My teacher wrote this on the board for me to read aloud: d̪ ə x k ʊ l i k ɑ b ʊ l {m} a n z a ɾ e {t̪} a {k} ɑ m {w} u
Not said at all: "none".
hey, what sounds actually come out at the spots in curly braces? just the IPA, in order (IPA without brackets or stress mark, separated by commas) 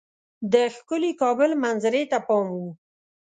m, t̪, p, w